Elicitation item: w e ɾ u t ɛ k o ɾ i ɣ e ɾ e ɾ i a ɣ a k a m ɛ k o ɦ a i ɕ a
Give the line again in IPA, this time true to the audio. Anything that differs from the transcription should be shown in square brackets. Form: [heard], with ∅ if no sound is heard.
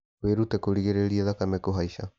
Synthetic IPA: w e ɾ u t ɛ k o ɾ i ɣ e ɾ e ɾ i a [ð] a k a m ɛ k o ɦ a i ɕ a